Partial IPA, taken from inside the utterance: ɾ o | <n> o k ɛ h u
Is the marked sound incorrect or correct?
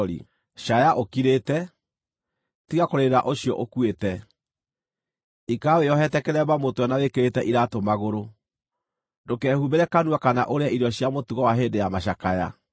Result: incorrect